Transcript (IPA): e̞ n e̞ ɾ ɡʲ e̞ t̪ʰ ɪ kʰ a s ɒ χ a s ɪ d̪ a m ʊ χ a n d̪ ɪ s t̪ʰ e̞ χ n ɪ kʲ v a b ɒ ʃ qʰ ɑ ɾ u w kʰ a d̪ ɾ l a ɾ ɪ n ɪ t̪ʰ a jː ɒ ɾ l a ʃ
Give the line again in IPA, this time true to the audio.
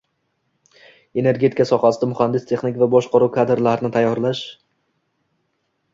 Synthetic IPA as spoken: e̞ n e̞ ɾ ɡʲ e̞ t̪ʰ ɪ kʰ a s ɒ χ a s ɪ d̪ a m ʊ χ a n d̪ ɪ s t̪ʰ e̞ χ n ɪ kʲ v a b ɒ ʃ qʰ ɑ ɾ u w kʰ a d̪ ɾ l a ɾ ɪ n ɪ t̪ʰ a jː ɒ ɾ l a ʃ